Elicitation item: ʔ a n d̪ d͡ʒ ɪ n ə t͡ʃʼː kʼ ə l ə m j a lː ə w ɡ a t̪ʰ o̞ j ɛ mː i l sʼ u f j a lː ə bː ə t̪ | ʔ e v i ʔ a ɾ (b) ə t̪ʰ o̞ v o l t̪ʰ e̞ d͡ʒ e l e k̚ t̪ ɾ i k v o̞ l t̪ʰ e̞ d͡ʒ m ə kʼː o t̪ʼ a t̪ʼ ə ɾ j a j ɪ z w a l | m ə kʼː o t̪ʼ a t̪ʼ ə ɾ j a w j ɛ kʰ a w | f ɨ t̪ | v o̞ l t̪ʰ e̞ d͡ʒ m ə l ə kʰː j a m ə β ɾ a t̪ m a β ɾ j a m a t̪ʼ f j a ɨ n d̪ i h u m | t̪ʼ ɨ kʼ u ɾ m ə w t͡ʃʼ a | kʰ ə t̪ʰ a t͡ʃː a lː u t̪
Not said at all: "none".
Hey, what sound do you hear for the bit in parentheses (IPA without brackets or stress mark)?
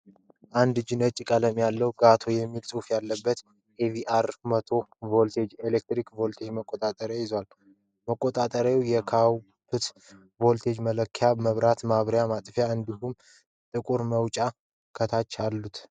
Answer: m